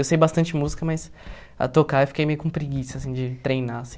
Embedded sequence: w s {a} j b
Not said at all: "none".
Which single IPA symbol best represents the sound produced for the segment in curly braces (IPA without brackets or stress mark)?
e